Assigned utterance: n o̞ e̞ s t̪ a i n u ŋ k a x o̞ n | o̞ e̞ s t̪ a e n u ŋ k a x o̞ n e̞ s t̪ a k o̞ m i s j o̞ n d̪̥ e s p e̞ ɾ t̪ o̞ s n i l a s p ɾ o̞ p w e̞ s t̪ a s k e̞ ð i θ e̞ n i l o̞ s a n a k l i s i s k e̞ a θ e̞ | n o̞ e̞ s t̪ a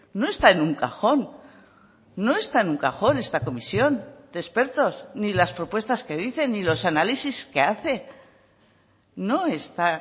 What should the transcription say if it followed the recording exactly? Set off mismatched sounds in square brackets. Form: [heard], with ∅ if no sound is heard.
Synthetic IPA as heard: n o̞ e̞ s t̪ a [e] n u ŋ k a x o̞ n | o̞ e̞ s t̪ a e n u ŋ k a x o̞ n e̞ s t̪ a k o̞ m i s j o̞ n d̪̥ e s p e̞ ɾ t̪ o̞ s n i l a s p ɾ o̞ p w e̞ s t̪ a s k e̞ ð i θ e̞ n i l o̞ s a n a [∅] l i s i s k e̞ a θ e̞ | n o̞ e̞ s t̪ a